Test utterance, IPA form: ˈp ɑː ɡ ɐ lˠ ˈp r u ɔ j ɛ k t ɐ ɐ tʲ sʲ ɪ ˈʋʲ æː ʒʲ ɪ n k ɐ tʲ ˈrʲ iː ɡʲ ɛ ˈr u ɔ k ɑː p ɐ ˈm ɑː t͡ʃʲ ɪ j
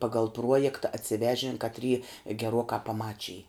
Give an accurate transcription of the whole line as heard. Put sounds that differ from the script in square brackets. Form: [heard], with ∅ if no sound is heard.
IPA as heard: ˈp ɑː ɡ ɐ lˠ ˈp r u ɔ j ɛ k t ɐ ɐ tʲ sʲ ɪ ˈʋʲ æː ʒʲ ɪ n k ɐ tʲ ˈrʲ iː ɡʲ ɛ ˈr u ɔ k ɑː p ɐ ˈm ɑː t͡ʃʲ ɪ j